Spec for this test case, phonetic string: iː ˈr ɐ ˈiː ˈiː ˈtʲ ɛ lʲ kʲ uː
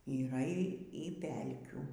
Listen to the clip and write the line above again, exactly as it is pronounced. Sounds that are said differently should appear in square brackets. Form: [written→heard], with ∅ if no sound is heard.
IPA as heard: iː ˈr ɐ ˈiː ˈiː [ˈtʲ→ˈpʲ] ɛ lʲ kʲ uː